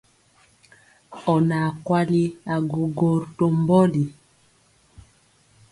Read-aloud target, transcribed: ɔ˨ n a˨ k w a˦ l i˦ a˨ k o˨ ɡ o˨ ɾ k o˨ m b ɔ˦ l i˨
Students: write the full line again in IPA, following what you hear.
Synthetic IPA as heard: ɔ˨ n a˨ k w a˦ l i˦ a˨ ɡ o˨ ɡ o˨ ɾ t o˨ m b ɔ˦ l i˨

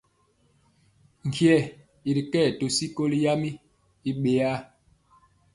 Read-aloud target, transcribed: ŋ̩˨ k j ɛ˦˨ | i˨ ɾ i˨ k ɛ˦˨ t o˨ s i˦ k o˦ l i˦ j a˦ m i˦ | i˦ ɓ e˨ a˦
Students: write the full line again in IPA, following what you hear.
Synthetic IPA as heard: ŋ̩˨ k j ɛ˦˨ | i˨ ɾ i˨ k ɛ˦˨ t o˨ s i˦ k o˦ l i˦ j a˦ m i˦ | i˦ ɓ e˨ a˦

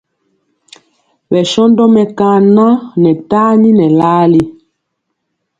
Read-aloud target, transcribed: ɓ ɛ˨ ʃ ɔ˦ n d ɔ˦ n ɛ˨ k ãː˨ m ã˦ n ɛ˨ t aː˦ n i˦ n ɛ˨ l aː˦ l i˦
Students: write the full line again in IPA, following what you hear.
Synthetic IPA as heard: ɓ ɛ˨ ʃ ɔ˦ n d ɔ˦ m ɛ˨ k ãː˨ n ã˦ n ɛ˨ t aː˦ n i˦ n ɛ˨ l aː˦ l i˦

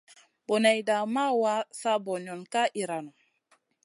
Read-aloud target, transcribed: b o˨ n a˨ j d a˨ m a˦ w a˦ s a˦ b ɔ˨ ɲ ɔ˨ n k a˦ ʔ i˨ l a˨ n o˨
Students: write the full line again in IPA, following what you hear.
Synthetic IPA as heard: b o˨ n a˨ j d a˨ m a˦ w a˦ s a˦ b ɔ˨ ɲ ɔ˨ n k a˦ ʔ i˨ ɾ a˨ n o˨

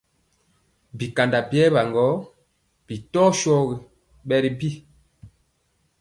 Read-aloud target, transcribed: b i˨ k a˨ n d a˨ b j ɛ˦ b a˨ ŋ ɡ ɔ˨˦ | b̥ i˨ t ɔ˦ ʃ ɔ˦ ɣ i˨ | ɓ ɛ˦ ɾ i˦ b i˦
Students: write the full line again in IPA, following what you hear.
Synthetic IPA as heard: b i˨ k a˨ n d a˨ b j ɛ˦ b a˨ ŋ ɡ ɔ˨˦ | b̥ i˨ t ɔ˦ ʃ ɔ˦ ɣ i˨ | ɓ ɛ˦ ɾ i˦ b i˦

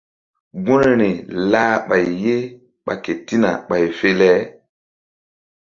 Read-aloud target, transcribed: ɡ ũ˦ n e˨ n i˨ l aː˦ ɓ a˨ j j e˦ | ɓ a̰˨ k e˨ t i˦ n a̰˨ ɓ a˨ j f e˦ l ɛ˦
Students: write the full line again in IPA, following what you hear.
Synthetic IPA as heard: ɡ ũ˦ n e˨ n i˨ l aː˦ ɓ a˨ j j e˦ | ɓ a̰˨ k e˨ t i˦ n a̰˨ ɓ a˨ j f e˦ l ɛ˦

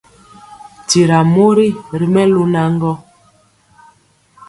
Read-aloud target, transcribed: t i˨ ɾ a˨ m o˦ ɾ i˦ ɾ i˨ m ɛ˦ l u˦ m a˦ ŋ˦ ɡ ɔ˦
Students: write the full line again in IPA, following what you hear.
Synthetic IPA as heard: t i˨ ɾ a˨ m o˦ ɾ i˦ ɾ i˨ m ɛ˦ l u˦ n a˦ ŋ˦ ɡ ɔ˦

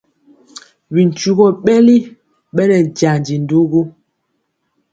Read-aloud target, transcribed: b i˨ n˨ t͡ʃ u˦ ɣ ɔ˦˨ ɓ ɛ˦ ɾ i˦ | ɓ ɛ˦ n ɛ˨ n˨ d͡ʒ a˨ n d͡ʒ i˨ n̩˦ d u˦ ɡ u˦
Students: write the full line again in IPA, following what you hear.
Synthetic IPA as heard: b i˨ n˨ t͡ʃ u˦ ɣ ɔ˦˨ ɓ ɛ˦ l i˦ | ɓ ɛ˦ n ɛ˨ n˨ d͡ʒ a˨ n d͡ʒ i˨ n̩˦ d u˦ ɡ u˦

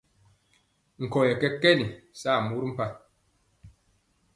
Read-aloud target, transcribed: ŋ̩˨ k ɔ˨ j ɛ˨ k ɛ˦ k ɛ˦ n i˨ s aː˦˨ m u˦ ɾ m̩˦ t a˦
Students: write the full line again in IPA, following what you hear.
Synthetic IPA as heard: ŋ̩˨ k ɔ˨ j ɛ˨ k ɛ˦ k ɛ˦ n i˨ s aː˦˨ m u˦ ɾ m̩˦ p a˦

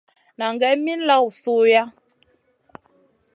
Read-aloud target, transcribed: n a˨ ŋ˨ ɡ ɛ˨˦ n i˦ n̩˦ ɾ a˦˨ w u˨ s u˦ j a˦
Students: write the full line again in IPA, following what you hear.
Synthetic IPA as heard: n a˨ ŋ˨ ɡ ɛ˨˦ m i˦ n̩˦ l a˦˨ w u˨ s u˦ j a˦

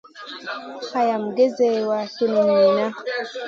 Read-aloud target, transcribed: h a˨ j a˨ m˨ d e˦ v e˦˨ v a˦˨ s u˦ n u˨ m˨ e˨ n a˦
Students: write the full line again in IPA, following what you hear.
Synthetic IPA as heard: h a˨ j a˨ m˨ ɡ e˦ z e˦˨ w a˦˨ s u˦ n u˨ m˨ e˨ n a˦

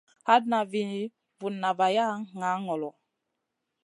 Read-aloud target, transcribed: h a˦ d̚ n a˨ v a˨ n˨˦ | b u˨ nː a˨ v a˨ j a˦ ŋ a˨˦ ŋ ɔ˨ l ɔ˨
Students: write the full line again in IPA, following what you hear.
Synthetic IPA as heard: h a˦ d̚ n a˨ v i˨ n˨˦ | v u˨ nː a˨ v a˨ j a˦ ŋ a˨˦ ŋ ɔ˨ l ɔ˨

